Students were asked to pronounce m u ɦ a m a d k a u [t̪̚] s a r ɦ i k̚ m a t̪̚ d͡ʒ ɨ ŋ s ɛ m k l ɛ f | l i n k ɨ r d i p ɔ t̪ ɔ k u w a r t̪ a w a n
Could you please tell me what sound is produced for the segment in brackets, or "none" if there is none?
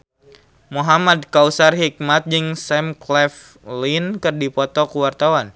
none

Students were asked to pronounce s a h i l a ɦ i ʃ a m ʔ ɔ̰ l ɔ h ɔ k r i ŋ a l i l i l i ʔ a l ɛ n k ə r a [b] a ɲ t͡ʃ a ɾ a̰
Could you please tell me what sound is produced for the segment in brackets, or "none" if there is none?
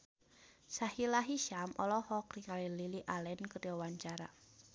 w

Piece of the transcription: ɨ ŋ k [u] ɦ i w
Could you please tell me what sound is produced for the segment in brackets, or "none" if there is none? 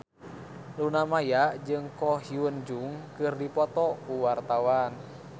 ɔ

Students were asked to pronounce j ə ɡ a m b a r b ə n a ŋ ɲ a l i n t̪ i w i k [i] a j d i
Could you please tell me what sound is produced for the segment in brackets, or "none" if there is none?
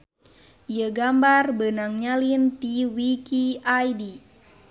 i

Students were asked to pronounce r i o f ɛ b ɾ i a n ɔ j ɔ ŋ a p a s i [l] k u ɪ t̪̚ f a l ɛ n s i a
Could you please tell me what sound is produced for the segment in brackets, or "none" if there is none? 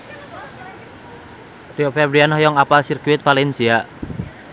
r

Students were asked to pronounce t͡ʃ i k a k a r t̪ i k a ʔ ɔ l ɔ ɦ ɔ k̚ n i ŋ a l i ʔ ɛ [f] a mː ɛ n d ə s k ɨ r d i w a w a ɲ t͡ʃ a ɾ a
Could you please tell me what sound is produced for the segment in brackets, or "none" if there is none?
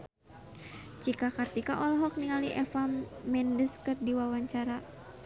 f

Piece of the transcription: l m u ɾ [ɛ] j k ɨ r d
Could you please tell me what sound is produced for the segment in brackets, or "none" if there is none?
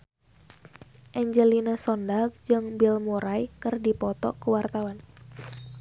a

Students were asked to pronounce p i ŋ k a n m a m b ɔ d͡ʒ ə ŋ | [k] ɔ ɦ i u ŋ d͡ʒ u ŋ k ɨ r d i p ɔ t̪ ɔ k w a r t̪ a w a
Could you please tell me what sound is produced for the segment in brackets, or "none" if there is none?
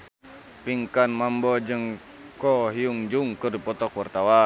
k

